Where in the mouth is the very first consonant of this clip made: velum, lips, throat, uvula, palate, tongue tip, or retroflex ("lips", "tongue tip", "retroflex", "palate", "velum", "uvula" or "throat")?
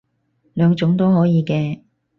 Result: tongue tip